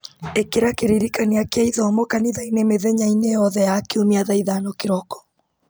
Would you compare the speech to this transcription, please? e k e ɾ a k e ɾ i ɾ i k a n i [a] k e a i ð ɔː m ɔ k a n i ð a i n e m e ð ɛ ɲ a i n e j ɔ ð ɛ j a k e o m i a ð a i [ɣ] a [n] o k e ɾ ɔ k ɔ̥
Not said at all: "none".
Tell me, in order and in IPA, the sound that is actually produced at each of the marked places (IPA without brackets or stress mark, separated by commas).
a, ð, n